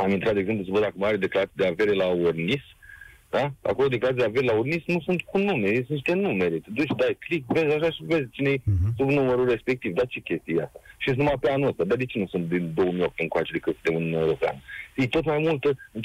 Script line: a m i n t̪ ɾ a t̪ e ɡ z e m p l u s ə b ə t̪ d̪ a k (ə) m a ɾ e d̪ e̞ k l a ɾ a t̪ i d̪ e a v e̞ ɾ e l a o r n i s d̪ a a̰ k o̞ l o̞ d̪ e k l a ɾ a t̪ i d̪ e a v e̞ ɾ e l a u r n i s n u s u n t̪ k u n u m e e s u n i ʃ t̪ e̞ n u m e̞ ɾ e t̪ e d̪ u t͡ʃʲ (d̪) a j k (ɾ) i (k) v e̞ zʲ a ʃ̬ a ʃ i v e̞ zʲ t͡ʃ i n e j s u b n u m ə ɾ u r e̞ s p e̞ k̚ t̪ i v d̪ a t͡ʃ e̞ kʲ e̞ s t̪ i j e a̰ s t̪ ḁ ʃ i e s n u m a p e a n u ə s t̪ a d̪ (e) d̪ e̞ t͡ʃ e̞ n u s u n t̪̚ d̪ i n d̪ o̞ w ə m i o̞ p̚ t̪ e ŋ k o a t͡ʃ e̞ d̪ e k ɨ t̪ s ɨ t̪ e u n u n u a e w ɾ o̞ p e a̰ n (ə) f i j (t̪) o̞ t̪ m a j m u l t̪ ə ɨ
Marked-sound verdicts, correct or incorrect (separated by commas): correct, correct, incorrect, correct, incorrect, correct, correct